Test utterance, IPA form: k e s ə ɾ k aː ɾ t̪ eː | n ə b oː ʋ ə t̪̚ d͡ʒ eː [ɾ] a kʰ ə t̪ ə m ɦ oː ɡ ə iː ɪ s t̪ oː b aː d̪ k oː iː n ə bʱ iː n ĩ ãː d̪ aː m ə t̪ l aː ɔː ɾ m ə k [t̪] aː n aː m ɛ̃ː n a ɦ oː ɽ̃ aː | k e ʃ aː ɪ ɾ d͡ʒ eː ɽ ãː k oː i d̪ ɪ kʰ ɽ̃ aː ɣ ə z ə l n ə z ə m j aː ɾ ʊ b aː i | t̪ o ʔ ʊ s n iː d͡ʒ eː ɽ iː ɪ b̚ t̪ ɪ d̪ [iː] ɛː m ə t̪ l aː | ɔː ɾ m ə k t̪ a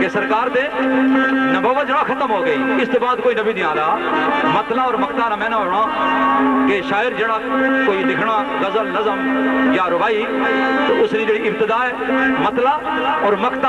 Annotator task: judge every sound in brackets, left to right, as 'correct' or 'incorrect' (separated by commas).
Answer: incorrect, correct, incorrect